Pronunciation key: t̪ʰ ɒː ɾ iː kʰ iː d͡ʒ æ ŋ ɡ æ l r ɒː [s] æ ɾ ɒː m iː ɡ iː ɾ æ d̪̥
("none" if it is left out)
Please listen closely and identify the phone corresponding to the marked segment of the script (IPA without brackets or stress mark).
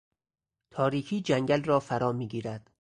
f